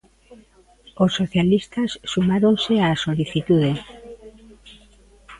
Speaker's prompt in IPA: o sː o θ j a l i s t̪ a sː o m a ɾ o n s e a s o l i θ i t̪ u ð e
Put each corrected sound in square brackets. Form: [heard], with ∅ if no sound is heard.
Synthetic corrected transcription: o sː o θ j a l i s t̪ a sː [u] m a ɾ o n s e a s o l i θ i t̪ u ð e

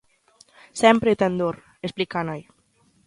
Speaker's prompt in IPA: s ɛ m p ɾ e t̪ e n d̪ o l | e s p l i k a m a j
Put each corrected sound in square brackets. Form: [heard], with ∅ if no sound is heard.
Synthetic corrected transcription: s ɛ m p ɾ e t̪ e n d̪ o [ɾ] | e s p l i k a [n] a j

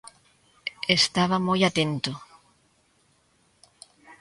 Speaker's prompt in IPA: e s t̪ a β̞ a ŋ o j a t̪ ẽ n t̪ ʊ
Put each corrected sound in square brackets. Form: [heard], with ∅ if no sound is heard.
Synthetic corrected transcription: e s t̪ a β̞ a [m] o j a t̪ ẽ n t̪ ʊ

